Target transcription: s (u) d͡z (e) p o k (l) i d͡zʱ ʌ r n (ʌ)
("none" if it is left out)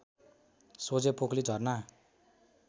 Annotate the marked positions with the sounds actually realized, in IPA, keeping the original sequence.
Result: o, e, l, a

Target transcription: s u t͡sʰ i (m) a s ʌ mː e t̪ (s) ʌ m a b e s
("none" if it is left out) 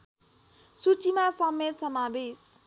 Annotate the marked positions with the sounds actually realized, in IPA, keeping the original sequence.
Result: m, s

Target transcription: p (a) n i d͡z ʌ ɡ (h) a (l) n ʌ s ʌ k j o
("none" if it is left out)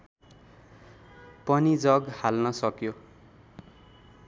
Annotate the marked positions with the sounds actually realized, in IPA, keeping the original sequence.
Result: ʌ, h, l

